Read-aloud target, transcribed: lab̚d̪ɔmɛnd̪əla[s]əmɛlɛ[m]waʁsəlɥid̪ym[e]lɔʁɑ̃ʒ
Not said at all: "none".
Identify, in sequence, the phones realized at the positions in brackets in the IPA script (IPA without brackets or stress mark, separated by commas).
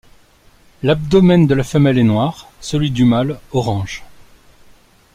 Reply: f, n, a